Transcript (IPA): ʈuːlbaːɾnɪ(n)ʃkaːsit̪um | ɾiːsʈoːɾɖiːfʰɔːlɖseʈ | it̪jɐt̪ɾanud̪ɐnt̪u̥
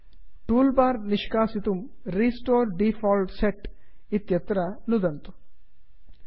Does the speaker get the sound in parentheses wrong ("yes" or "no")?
yes